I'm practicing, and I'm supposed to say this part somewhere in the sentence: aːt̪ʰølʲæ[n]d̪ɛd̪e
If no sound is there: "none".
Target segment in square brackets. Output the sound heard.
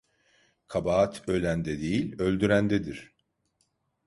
n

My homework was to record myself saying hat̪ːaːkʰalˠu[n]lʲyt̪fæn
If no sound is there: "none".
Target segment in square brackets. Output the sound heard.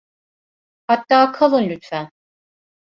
n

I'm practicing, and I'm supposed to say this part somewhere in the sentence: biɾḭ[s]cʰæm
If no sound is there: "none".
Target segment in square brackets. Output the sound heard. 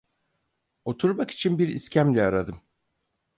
s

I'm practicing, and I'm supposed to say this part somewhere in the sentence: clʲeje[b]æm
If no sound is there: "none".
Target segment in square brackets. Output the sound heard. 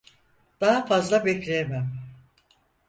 m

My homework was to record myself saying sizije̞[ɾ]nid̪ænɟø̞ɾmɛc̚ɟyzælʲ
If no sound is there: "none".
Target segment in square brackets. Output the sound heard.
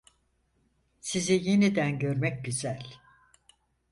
none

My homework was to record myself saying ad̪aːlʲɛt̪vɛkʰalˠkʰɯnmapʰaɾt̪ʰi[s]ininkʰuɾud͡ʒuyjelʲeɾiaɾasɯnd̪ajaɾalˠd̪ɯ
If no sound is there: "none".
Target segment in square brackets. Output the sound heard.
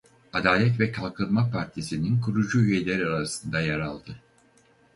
s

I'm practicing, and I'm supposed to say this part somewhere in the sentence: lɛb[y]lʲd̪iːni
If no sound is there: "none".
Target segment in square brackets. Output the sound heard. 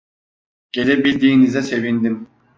i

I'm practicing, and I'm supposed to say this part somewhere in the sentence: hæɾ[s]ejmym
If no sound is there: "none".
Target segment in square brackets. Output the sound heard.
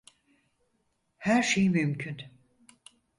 ʃ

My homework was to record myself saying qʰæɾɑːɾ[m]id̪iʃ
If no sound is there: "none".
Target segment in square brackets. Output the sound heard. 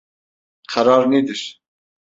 n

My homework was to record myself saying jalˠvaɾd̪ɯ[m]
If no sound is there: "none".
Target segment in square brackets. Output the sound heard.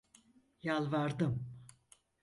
m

